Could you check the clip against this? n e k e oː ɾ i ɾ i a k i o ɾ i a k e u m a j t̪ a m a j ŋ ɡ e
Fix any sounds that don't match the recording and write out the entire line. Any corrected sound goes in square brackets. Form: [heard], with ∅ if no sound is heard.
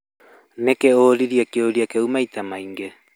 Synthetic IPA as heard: n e k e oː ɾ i ɾ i a k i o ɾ i a k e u m a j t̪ a m a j ŋ ɡ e

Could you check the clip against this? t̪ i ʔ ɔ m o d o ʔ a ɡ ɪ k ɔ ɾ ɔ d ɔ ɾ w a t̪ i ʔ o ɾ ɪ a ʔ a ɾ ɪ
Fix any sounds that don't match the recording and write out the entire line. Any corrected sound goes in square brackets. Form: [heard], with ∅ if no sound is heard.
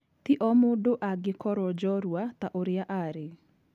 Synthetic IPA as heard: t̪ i ʔ ɔ m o d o ʔ a ɡ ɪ k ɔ ɾ ɔ [d͡ʒ] ɔ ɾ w a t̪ [a] ʔ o ɾ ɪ a ʔ a ɾ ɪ

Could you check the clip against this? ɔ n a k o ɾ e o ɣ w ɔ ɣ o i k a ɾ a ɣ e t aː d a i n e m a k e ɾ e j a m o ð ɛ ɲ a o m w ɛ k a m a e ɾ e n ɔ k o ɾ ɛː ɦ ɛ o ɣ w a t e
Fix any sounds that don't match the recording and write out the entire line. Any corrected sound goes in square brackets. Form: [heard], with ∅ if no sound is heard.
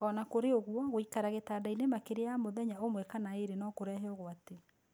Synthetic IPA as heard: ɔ n a k o ɾ e o ɣ w ɔ ɣ o i k a ɾ a ɣ e t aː d a i n e m a k e ɾ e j a m o ð ɛ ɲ a o m w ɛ k a [n] a e ɾ e n ɔ k o ɾ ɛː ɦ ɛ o ɣ w a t e

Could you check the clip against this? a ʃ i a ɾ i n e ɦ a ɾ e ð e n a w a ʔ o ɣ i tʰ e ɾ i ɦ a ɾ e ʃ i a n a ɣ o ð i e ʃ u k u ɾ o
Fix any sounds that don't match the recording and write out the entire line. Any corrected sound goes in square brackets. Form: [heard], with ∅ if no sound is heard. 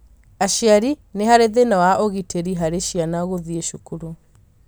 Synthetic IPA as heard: a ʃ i a ɾ i n e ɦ a ɾ e ð e n a w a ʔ o ɣ i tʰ e ɾ i ɦ a ɾ e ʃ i a n a ɣ o ð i e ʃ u k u ɾ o

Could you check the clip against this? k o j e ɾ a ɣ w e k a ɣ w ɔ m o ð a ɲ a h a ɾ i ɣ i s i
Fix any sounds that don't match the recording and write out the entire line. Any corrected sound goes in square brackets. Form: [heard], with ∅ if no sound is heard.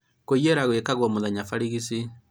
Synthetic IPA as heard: k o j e ɾ a ɣ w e k a ɣ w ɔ m o ð a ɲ a [f] a ɾ i ɣ i s i

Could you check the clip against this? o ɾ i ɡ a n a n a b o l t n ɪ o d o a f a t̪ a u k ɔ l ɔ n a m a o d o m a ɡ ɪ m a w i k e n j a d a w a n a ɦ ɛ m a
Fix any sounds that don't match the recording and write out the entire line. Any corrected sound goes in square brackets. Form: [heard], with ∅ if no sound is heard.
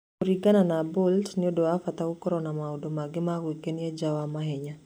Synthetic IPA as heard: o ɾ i ɡ a n a n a b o l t n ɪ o d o a f a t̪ a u k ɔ [ɾ] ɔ n a m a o d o m a ɡ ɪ m a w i k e n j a [d͡ʒ] a w a [m] a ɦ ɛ [ɲ] a

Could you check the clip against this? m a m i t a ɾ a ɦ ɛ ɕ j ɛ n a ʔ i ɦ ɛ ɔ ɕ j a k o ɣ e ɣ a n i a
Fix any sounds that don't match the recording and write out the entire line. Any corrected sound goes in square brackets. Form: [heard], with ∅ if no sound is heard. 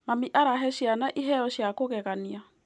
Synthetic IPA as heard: m a m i [ʔ] a ɾ a ɦ ɛ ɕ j [a] n a ʔ i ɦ ɛ ɔ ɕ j a k o ɣ [ɛ] ɣ a n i a

